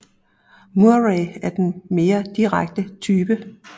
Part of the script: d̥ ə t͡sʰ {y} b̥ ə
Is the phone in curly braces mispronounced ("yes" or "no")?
yes